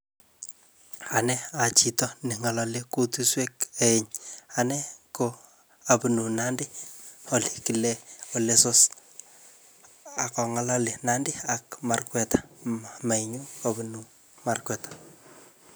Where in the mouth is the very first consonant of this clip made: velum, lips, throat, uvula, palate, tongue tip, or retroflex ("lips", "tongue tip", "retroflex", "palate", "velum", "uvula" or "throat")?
tongue tip